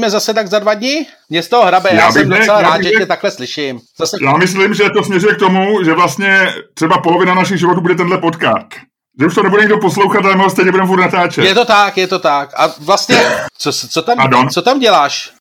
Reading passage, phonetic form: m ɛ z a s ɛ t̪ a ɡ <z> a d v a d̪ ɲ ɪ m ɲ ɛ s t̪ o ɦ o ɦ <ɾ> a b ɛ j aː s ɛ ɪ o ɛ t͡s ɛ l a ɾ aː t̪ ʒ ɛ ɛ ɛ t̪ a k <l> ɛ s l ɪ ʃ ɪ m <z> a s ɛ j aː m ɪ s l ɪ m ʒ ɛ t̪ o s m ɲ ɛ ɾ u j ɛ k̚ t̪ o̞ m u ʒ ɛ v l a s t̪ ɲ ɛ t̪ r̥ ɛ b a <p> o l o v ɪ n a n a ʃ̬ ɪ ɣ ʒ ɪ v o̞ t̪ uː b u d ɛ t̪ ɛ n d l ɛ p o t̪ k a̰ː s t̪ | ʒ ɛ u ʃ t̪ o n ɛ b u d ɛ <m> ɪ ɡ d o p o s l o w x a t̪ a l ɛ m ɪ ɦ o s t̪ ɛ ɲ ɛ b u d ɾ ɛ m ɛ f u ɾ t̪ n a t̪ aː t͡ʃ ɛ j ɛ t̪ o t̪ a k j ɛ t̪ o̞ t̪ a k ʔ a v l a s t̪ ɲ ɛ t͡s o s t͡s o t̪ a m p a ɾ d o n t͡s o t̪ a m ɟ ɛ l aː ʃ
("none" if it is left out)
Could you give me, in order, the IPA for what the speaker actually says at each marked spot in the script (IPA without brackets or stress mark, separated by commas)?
z, ɾ, l, z, p, ɲ